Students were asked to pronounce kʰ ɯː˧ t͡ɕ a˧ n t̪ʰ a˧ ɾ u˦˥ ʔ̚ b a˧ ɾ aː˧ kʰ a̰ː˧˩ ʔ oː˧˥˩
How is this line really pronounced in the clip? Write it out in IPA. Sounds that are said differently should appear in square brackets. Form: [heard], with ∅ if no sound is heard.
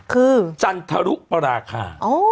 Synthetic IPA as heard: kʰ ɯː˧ t͡ɕ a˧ n t̪ʰ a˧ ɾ u˦˥ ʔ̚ [p] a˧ ɾ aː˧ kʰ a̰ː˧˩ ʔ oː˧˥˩